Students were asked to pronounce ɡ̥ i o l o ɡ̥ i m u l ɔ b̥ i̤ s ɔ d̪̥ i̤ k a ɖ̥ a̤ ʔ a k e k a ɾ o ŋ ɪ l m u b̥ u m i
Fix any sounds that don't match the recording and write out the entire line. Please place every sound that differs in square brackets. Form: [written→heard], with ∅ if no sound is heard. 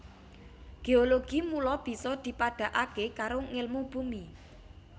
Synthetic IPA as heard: ɡ̥ [i→e] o l o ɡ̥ i m u l ɔ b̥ i̤ s ɔ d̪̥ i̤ [k→p] a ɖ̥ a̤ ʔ a k e k a ɾ o ŋ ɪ l m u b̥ u m i